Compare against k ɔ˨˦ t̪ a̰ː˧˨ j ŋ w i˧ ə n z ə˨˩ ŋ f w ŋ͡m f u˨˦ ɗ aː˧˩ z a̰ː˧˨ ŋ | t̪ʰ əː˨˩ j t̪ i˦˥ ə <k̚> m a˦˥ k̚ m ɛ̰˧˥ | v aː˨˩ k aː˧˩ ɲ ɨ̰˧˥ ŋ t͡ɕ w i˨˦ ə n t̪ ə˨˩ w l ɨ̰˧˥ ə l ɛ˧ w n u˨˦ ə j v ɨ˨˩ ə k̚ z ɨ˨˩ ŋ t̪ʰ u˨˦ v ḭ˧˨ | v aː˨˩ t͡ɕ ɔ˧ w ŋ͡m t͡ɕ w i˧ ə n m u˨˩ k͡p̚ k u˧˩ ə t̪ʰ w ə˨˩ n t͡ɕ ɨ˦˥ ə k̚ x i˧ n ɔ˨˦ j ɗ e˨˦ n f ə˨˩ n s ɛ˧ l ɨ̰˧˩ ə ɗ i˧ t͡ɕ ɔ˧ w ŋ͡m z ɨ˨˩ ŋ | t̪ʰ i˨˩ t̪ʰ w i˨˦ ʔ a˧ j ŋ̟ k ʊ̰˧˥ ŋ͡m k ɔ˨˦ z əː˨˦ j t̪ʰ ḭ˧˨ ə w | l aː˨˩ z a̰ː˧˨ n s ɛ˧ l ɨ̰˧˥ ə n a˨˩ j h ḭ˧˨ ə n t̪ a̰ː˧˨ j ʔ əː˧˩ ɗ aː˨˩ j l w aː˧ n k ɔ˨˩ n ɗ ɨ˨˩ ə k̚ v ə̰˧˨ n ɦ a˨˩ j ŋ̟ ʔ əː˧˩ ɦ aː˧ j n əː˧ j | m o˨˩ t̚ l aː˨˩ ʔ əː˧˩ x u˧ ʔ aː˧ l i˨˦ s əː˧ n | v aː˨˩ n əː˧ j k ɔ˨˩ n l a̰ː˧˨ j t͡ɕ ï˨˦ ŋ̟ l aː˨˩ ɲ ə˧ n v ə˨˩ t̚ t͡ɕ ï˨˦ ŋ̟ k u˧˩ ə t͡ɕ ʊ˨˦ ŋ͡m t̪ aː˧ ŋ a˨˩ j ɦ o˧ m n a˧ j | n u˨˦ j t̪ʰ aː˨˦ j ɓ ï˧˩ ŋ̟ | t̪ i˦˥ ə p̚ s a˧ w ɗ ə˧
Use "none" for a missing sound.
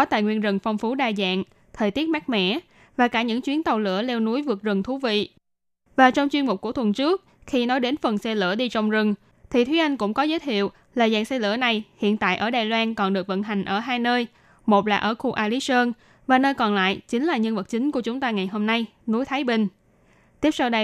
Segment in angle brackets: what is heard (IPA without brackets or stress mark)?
t̚